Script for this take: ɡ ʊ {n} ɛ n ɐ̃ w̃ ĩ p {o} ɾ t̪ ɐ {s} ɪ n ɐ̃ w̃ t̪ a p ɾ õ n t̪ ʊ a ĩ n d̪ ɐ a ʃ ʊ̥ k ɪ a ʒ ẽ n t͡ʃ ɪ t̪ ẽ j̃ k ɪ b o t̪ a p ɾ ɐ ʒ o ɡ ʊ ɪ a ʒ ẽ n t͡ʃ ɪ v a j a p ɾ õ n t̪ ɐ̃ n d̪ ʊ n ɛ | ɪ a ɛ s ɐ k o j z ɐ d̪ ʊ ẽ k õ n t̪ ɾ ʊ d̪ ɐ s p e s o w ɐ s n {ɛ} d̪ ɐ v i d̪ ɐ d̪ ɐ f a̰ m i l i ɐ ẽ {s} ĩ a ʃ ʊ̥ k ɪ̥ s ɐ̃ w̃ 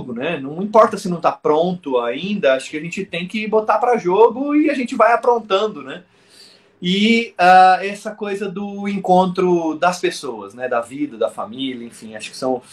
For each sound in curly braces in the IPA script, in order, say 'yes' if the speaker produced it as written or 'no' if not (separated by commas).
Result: yes, no, yes, yes, no